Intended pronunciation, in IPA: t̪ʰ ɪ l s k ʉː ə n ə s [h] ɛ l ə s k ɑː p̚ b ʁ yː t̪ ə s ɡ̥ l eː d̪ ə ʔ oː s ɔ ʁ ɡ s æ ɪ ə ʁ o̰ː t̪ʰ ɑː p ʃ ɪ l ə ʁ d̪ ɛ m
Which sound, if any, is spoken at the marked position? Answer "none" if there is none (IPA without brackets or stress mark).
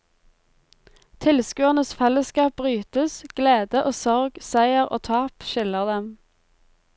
f